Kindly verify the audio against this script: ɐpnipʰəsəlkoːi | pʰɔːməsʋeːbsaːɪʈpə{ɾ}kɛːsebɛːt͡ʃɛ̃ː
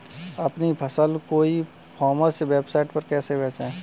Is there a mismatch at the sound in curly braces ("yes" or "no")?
no